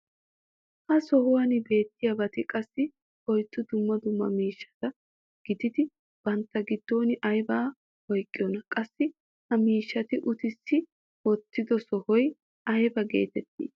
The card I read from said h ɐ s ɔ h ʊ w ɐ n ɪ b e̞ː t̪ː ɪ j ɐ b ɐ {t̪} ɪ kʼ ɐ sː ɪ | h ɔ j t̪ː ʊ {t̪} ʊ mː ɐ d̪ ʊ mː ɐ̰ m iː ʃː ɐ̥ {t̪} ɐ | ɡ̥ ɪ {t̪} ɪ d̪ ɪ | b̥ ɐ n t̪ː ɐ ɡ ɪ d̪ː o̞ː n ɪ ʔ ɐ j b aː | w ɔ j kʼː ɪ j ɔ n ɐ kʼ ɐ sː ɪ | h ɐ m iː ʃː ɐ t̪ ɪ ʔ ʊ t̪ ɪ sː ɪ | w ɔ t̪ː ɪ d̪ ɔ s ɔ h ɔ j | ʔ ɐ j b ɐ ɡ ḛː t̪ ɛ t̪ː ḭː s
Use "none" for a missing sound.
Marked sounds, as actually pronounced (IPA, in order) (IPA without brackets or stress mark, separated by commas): t̪, d̪, t̪, d̪